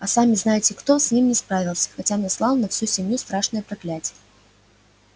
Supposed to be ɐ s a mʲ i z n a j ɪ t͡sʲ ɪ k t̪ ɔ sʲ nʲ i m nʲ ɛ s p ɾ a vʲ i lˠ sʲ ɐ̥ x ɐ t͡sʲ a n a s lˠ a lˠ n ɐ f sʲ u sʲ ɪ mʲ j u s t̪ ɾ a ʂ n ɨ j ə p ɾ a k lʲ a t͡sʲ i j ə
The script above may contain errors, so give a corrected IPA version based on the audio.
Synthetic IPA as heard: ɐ s a mʲ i z n a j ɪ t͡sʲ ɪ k t̪ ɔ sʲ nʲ i m nʲ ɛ s p ɾ a vʲ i lˠ sʲ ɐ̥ x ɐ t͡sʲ a n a s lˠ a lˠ n ɐ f sʲ u sʲ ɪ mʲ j u s t̪ ɾ a ʂ n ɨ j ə p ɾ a k lʲ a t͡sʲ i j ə